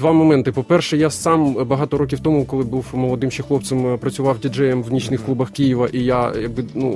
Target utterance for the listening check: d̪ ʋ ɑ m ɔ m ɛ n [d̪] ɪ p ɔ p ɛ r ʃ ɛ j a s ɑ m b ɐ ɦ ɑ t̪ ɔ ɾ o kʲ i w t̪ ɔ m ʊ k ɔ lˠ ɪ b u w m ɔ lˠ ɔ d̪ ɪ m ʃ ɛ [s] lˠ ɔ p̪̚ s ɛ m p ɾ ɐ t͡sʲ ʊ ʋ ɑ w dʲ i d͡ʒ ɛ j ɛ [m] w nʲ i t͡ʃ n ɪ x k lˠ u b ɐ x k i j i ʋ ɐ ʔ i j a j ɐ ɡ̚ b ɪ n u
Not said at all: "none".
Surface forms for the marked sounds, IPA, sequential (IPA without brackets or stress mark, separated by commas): t̪, x, m